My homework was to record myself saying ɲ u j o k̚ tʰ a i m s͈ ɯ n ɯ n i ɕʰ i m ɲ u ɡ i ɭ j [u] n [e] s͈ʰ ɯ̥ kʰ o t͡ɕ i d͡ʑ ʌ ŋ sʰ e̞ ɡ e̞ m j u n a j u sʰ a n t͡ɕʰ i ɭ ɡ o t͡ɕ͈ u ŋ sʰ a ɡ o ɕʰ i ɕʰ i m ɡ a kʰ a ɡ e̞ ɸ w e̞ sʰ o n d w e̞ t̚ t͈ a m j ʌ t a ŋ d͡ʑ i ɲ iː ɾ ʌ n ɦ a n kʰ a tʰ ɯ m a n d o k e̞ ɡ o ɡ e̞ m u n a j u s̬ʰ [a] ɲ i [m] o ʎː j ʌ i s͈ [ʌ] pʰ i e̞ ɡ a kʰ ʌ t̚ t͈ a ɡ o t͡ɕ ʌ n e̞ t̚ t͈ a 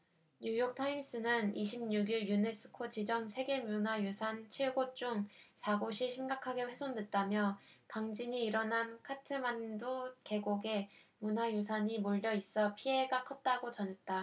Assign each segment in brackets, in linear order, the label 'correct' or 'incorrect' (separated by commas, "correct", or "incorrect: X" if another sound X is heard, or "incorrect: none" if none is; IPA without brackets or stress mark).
correct, correct, correct, correct, correct